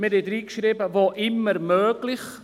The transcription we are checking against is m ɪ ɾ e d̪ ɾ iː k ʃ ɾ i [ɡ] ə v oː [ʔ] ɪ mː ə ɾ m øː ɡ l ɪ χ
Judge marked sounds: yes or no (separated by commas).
no, yes